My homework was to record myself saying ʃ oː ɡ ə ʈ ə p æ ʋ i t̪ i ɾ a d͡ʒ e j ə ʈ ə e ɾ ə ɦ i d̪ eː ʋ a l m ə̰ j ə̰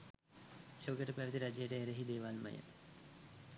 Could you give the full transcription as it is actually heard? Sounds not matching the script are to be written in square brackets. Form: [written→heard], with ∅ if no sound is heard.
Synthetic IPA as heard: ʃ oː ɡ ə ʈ ə p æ ʋ i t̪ i ɾ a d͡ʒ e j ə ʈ ə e ɾ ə ɦ i d̪ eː ʋ a l m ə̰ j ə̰